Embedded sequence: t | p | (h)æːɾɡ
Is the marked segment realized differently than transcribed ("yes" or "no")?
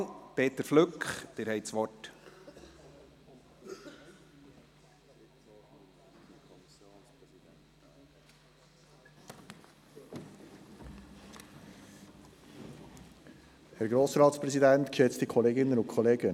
no